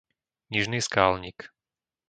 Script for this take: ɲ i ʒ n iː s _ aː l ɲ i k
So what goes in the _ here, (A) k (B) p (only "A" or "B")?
A